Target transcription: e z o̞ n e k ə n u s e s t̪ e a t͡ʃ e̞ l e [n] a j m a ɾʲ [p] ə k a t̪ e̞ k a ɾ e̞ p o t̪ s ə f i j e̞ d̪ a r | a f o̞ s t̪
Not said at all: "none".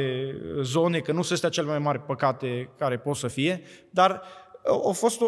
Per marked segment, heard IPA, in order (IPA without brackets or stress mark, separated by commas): m, p